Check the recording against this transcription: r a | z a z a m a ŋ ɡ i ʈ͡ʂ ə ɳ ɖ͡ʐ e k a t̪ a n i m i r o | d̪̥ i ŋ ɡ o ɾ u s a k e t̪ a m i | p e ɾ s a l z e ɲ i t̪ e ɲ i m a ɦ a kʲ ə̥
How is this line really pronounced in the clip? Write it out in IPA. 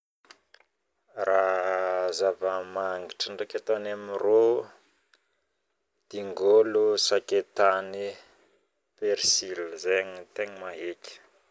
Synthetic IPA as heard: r a | z a v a m a ŋ ɡ i ʈ͡ʂ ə ɳ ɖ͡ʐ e k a t̪ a n a m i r o | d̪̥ i ŋ ɡ o l u s a k e t̪ a n i | p e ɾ s i l z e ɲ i t̪ e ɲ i m a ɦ e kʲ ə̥